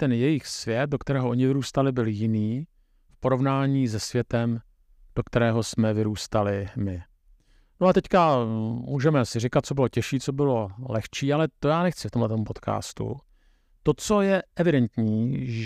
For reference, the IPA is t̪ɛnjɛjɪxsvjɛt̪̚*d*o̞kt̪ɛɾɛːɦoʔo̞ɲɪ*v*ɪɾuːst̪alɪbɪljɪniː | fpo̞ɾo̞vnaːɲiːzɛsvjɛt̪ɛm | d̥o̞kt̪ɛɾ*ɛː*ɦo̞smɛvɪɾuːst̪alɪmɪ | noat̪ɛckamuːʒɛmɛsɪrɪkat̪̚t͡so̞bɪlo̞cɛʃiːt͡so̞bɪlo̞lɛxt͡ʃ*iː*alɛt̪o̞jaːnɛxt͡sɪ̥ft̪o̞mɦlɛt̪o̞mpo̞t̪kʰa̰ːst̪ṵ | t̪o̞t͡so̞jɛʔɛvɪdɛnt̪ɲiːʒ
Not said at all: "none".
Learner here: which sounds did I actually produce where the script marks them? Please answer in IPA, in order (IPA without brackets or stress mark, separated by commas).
d, v, ɛː, iː